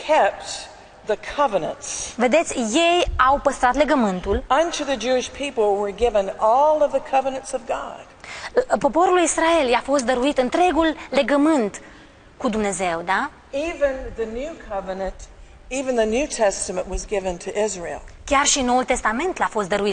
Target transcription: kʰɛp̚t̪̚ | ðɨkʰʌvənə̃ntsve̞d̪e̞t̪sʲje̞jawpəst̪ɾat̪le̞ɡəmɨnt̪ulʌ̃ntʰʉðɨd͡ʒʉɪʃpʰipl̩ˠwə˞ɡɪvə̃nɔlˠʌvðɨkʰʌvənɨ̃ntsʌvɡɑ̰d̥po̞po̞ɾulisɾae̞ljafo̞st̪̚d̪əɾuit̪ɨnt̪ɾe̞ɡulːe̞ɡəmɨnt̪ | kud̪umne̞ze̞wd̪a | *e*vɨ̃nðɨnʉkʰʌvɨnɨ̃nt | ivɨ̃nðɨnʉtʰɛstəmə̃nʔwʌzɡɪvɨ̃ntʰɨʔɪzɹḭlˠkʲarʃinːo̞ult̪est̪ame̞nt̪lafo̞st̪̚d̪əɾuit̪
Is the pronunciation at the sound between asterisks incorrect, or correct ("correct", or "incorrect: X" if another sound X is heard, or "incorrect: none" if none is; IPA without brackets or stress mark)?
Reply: incorrect: i